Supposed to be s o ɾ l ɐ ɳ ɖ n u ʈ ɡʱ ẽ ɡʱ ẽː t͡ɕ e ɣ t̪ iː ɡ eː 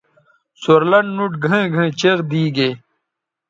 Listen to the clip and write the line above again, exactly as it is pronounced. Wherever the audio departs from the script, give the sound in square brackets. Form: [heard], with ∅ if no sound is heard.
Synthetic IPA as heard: s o ɾ l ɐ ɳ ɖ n u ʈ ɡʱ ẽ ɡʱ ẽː t͡ɕ e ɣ [d̪] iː ɡ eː